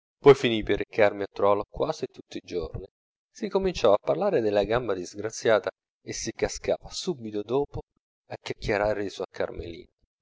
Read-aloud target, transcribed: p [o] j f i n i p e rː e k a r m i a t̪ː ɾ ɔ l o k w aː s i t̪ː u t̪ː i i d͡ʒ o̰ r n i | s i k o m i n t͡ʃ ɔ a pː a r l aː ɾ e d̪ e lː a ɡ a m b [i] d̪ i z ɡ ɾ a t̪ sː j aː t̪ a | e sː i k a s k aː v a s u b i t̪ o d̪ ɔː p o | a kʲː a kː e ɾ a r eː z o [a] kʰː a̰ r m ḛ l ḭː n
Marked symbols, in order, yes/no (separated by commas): no, no, yes